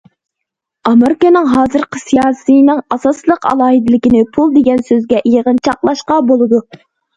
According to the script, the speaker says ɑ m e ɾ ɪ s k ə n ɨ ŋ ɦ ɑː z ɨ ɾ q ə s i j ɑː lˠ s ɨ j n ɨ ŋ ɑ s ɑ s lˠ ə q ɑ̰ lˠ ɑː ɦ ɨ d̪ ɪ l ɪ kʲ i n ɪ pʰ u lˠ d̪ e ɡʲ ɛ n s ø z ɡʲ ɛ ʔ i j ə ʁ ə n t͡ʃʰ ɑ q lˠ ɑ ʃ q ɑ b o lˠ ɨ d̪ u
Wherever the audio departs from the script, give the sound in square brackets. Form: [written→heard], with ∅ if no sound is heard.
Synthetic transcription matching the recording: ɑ m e ɾ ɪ [s→∅] k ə n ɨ ŋ ɦ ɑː z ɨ ɾ q ə s i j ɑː [lˠ→∅] s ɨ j n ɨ ŋ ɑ s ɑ s lˠ ə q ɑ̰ lˠ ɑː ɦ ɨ d̪ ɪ l ɪ kʲ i n ɪ pʰ u lˠ d̪ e ɡʲ ɛ n s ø z ɡʲ ɛ ʔ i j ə ʁ ə n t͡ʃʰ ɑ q lˠ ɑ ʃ q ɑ b o lˠ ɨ d̪ u